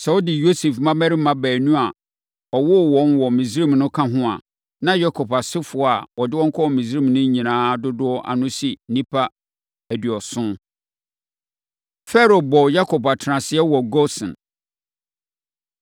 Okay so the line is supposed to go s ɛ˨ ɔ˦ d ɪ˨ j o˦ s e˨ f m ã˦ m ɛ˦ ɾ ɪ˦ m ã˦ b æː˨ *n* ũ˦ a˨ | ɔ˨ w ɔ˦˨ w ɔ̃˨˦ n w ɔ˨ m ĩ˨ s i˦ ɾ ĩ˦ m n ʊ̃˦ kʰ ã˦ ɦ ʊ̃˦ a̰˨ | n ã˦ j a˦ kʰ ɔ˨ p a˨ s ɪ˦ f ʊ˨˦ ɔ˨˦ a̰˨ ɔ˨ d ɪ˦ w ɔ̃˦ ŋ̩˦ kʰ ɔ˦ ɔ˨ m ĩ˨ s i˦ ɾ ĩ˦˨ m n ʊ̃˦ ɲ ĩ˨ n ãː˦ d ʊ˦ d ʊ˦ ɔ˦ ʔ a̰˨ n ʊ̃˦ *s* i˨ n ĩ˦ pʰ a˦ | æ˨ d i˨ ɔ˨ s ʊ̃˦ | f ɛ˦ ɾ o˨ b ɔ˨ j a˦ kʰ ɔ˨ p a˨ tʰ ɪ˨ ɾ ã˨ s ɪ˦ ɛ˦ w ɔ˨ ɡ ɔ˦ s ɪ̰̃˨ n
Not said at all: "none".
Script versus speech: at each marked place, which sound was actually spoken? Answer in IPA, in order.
n, s

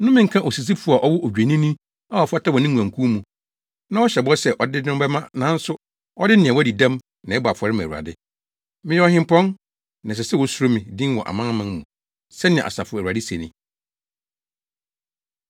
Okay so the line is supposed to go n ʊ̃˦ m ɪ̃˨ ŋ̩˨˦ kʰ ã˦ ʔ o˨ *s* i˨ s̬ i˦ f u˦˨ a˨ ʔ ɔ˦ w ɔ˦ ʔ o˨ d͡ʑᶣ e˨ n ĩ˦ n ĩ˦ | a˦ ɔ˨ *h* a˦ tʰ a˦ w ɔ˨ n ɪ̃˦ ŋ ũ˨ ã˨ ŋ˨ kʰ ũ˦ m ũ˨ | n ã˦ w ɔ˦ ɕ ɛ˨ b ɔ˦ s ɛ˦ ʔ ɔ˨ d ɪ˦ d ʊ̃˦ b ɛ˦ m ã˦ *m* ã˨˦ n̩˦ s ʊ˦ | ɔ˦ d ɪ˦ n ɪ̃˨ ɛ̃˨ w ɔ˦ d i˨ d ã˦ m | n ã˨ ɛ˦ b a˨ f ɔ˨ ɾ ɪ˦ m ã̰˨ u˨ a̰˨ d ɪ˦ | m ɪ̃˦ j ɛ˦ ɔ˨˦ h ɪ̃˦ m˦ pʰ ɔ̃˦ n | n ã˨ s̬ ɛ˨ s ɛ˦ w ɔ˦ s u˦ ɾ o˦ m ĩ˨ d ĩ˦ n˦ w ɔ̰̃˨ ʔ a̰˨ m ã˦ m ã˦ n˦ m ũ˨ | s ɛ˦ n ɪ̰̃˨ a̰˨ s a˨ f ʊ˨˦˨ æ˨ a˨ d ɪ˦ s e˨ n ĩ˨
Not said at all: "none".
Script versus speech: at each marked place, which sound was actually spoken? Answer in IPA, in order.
s, f, n

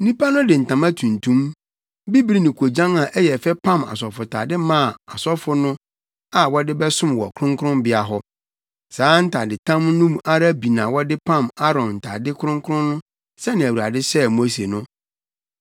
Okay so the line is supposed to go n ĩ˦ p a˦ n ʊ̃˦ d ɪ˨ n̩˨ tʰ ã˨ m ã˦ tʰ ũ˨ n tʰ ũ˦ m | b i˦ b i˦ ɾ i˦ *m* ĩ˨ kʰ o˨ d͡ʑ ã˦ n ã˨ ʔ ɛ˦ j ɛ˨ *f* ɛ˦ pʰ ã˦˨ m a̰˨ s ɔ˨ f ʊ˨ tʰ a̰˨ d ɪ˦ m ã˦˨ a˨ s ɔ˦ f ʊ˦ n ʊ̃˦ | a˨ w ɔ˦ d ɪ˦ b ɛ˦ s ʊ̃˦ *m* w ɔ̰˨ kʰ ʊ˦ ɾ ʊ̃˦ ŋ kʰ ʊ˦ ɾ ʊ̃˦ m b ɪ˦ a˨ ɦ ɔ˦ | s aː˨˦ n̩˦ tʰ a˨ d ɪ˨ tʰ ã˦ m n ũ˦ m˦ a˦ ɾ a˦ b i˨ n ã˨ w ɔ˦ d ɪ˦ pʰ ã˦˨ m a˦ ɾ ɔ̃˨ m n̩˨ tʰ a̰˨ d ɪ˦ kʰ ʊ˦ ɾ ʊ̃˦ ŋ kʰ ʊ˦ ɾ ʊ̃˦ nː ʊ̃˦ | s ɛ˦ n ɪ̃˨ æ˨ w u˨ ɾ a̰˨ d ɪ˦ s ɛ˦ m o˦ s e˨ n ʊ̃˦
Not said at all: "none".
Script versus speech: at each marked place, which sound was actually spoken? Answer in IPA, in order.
n, f, m

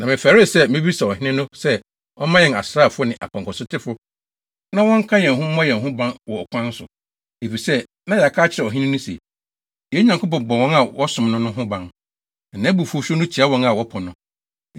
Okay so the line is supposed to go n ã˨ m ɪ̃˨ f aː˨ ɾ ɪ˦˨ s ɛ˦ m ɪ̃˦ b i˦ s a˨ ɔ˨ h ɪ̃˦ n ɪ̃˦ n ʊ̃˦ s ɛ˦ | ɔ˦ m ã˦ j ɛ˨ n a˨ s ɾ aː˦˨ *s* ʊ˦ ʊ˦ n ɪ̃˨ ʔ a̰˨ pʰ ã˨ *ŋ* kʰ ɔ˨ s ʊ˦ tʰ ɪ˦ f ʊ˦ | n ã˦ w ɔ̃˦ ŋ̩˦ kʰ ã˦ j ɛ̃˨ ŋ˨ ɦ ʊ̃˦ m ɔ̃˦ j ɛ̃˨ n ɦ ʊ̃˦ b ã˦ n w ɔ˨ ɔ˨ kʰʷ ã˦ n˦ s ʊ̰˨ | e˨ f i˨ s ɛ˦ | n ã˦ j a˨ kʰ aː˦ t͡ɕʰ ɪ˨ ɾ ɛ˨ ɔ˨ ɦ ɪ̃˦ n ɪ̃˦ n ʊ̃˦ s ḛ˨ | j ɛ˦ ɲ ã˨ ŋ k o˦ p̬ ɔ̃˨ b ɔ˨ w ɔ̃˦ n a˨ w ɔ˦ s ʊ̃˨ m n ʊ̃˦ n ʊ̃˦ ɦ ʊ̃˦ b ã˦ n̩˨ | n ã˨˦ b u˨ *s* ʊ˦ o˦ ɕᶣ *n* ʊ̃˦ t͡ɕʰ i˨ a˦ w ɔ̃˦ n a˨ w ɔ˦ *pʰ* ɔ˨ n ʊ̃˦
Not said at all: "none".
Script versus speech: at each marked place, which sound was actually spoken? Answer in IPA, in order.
f, ŋ, f, n, pʰ

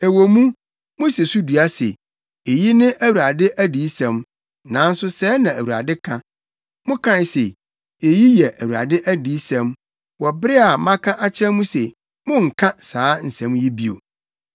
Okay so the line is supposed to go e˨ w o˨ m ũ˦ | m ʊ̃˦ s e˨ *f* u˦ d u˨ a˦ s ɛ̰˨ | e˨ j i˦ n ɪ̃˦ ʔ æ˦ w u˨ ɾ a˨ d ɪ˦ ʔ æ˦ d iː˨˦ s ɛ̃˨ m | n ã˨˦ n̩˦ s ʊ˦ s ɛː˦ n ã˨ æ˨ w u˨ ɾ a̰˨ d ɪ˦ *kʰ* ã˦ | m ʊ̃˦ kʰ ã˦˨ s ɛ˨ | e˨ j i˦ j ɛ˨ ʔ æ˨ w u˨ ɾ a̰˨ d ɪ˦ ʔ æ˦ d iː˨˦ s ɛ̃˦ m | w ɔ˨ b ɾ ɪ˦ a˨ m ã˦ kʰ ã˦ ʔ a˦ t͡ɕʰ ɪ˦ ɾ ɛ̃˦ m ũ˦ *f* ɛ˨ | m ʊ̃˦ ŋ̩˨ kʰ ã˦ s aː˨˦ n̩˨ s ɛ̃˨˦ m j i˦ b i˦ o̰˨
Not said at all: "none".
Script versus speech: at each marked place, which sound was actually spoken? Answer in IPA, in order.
s, kʰ, s

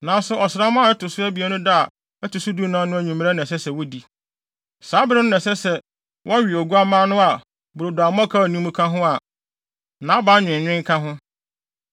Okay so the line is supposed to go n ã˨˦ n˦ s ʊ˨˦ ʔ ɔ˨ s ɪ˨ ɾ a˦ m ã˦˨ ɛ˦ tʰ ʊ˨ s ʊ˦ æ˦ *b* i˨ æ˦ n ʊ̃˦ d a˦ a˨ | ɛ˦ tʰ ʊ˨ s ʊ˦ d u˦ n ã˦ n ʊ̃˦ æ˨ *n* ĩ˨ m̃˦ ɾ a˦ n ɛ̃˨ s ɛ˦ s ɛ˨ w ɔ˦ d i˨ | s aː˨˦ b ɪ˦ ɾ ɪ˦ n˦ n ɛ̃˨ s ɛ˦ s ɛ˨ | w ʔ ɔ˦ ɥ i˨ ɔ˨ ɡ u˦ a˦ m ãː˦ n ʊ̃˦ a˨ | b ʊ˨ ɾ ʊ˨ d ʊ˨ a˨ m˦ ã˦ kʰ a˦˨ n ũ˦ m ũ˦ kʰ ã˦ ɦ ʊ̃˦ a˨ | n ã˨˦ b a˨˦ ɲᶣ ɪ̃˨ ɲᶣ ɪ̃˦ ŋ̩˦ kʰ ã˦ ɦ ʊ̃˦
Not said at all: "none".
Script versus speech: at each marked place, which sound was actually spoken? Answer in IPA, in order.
b, ɲ

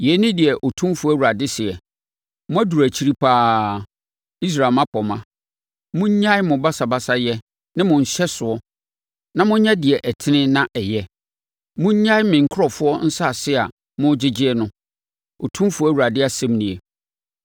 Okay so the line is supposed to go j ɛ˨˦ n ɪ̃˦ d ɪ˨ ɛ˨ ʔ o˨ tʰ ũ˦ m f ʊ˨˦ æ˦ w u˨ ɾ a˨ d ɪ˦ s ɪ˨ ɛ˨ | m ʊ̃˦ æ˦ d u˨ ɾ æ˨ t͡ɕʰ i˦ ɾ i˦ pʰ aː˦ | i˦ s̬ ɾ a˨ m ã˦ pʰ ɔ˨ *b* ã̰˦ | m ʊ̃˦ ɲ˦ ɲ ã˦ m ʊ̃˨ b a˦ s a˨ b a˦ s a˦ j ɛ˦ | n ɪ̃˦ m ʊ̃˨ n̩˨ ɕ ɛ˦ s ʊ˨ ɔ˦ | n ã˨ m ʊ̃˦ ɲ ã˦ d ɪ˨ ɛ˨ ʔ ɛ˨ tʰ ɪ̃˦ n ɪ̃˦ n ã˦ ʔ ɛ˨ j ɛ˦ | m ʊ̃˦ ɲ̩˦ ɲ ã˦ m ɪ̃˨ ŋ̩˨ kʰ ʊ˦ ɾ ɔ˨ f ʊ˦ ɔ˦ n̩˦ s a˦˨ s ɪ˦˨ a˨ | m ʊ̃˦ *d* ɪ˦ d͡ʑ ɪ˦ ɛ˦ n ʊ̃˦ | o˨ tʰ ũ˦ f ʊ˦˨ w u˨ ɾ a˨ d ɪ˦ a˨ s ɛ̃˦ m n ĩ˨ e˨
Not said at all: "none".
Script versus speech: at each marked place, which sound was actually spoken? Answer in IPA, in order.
m, d͡ʑ

